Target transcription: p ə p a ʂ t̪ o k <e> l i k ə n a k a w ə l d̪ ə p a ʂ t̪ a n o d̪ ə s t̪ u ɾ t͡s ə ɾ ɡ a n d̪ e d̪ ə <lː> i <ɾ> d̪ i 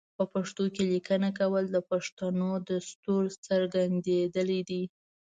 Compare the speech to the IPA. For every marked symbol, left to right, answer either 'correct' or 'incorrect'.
correct, incorrect: l, incorrect: none

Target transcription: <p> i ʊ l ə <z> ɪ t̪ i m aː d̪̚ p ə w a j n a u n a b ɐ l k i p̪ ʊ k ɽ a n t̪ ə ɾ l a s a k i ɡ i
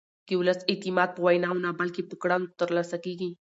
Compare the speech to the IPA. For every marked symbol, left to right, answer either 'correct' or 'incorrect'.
incorrect: k, incorrect: s

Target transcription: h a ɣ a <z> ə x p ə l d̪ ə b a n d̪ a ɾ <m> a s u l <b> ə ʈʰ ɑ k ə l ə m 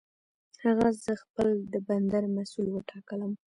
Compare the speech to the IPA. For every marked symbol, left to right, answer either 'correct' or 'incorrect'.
correct, correct, incorrect: w

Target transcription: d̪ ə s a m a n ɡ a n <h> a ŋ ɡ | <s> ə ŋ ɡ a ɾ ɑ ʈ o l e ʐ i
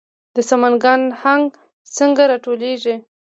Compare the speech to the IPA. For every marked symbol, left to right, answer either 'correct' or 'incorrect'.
correct, correct

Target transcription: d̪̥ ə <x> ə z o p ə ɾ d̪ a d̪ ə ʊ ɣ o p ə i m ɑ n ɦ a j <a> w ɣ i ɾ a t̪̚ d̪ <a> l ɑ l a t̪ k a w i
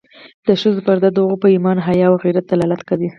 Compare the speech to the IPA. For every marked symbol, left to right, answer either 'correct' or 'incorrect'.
incorrect: ʃ, incorrect: ɑ, correct

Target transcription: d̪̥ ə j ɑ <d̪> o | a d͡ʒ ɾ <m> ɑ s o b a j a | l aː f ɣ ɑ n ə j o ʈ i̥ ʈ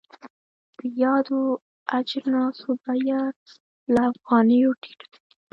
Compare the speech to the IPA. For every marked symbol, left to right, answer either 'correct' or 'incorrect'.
correct, incorrect: n

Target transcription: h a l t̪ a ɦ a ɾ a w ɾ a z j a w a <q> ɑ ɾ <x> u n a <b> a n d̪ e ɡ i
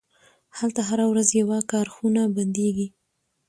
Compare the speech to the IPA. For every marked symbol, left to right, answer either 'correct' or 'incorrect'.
incorrect: k, correct, correct

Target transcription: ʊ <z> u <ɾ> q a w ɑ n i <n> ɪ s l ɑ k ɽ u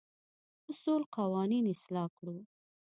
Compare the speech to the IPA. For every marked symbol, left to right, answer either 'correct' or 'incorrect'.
incorrect: s, incorrect: l, correct

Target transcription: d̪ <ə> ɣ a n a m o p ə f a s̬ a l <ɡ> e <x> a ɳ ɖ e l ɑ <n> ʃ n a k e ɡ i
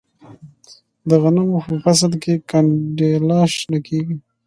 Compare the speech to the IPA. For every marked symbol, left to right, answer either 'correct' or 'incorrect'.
correct, incorrect: k, incorrect: k, incorrect: none

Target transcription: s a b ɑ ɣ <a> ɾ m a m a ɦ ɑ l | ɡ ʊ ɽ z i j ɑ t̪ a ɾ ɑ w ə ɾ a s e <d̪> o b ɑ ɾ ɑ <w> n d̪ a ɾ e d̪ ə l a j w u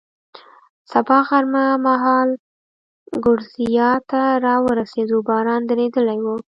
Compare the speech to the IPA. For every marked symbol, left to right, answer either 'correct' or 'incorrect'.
correct, correct, incorrect: none

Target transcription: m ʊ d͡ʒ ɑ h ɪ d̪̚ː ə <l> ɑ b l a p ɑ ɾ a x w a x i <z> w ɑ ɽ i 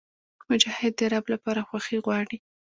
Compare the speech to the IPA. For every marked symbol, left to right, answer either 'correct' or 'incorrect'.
incorrect: ɾ, incorrect: ɣ

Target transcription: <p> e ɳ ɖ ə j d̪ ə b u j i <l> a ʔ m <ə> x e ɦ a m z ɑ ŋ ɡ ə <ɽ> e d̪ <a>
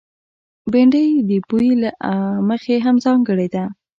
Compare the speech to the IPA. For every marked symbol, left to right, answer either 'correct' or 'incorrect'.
incorrect: b, correct, correct, correct, correct

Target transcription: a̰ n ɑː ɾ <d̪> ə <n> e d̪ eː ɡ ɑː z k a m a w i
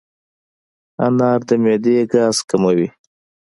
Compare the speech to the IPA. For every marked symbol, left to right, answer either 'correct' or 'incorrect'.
correct, incorrect: m

